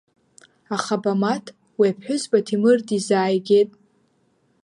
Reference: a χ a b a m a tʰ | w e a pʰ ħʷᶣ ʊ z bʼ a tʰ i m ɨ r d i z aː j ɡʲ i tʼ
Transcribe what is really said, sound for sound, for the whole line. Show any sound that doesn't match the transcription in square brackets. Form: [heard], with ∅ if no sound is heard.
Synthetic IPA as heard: a χ a b a m a tʰ | w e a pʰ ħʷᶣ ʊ z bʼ a tʰ i m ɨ r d i z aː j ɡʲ [e] tʼ

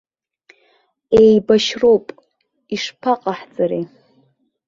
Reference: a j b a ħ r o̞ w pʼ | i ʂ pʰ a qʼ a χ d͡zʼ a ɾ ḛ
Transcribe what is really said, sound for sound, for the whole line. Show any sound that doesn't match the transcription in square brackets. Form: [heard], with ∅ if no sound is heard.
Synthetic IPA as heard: [e] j b a [ʃ] r o̞ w pʼ | i ʂ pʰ a qʼ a [ħ] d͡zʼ a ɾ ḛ

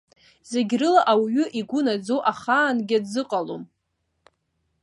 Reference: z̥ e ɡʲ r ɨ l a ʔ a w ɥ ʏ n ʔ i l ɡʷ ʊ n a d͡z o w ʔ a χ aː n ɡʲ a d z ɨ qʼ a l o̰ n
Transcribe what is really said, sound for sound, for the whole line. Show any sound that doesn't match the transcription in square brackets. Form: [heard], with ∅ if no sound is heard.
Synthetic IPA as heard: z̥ e ɡʲ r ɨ l a ʔ a w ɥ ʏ [∅] ʔ i [∅] ɡʷ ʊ n a d͡z o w ʔ a χ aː n ɡʲ a d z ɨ qʼ a l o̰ [m]

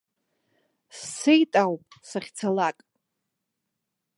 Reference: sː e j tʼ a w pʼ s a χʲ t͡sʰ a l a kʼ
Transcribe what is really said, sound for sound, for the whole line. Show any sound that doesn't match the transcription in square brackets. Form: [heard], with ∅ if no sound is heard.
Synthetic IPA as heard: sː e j tʼ a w pʼ s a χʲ t͡sʰ a l a kʼ

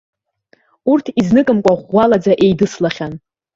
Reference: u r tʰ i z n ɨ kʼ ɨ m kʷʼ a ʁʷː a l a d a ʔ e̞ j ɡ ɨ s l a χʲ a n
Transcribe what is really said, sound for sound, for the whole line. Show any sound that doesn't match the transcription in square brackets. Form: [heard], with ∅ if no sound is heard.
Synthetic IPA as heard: u r tʰ i z n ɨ kʼ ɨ m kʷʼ a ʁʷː a l a [d͡z] a ʔ e̞ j [d] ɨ s l a χʲ a n

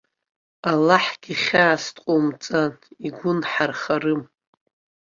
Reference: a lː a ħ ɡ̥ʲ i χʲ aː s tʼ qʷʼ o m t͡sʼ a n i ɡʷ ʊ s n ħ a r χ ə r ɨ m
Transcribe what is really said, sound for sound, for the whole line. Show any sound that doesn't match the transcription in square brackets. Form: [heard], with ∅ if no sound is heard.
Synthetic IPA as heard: a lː a ħ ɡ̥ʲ i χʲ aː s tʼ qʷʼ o m t͡sʼ a n i ɡʷ ʊ [∅] n ħ a r χ [a] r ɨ m

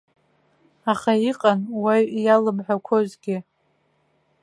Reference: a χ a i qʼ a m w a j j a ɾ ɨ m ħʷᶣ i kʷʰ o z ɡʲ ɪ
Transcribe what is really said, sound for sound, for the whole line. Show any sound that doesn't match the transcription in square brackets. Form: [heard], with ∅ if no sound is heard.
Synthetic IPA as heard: a χ a i qʼ a [n] w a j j a [l] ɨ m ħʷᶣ [a] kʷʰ o z ɡʲ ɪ

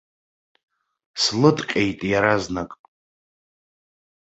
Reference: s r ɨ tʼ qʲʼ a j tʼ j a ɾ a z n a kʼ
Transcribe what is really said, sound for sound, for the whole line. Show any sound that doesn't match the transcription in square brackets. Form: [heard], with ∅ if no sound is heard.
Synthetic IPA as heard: s [l] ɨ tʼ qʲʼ [e] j tʼ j a ɾ a z n a kʼ

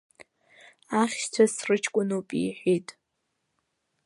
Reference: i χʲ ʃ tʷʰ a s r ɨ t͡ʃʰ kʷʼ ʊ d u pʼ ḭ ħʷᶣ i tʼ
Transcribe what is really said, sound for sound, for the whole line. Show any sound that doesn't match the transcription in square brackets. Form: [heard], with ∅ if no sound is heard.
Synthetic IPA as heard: [a] χʲ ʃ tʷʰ a s r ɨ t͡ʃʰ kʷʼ ʊ [n] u pʼ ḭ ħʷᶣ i tʼ

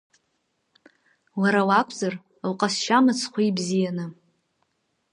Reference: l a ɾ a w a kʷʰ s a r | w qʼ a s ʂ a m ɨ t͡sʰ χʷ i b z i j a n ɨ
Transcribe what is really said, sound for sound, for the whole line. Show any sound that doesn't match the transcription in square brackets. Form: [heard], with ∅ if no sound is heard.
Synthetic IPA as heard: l a ɾ a w a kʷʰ [z] a r | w qʼ a s [ʃ] a m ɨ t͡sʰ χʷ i b z i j a n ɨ

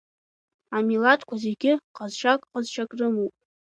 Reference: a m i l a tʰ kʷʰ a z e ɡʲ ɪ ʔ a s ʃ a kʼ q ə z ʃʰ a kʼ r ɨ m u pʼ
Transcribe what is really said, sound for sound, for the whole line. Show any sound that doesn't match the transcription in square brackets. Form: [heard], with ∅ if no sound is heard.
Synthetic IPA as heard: a m i l a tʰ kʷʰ a z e ɡʲ ɪ [q] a [z] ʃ a kʼ q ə z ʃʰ a kʼ r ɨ m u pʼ

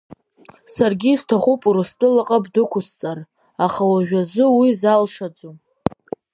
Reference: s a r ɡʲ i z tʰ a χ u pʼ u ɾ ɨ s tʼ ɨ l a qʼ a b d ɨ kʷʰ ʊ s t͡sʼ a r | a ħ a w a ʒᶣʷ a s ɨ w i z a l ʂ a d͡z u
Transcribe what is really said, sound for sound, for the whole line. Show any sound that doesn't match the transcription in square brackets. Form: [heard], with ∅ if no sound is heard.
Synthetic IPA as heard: s a r ɡʲ i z tʰ a χ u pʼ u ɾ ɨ s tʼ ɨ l a qʼ a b d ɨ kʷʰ ʊ s t͡sʼ a r | a [χ] a w a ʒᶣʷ a [z] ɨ w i z a l ʂ a d͡z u

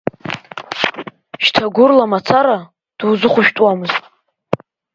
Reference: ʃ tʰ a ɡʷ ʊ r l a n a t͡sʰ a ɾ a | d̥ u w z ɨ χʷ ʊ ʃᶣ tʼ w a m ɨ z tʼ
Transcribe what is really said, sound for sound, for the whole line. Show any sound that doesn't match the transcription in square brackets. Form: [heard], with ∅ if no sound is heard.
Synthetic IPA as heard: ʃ tʰ a ɡʷ ʊ r l a [m] a t͡sʰ a ɾ a | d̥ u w z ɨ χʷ ʊ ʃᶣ tʼ w a m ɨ z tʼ

